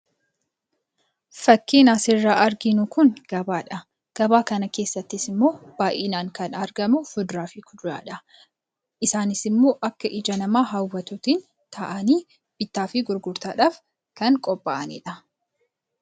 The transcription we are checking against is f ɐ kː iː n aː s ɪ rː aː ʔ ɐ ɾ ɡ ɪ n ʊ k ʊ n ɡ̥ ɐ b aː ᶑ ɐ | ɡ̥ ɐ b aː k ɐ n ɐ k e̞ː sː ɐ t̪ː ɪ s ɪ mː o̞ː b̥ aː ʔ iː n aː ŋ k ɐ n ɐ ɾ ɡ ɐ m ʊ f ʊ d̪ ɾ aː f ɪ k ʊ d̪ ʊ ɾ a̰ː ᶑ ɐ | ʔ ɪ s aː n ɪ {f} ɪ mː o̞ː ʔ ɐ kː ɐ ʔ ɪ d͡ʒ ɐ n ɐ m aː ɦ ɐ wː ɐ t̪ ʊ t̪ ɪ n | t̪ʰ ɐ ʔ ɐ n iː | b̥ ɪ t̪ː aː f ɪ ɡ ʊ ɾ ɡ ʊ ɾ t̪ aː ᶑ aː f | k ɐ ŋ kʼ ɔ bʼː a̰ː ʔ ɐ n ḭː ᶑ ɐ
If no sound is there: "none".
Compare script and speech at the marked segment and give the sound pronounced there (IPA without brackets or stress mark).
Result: s